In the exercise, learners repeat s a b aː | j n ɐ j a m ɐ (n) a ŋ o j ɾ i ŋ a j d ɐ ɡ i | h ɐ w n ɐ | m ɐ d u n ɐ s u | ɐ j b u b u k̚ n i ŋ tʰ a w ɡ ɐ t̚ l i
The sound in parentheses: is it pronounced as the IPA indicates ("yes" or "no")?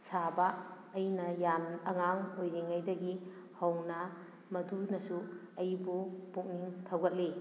no